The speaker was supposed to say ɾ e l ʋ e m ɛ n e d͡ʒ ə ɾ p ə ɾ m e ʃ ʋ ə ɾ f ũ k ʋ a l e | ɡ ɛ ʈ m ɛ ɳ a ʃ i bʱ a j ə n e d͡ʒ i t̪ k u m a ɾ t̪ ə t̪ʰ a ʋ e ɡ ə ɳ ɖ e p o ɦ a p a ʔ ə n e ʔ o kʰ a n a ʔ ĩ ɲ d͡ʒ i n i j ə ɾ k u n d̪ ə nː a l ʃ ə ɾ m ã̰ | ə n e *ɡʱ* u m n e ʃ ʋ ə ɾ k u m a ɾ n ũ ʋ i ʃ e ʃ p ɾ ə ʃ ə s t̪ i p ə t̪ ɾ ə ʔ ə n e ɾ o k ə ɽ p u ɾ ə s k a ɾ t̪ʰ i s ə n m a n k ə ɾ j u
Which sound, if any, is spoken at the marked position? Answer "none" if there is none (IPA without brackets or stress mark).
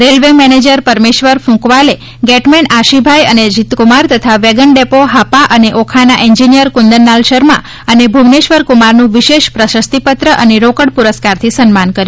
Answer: bʱ